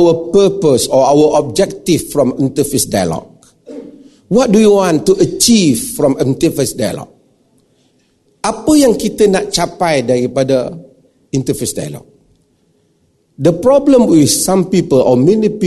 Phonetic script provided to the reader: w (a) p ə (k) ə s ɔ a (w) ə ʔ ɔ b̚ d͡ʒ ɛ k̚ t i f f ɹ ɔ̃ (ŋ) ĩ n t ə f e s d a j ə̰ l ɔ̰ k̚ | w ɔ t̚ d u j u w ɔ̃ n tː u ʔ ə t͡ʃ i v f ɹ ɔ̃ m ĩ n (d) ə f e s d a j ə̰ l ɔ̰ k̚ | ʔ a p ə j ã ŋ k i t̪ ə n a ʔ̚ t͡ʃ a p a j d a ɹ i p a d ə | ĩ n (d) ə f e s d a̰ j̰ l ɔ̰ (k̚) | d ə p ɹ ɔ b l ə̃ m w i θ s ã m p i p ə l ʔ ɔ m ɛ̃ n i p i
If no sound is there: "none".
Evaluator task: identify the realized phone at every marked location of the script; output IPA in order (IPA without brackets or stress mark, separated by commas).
ə, p, w, m, t, t, k̚